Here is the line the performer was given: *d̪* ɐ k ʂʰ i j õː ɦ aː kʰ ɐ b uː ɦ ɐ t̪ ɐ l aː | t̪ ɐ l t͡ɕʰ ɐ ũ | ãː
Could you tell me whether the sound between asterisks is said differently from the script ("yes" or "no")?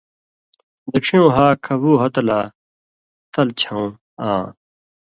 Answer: no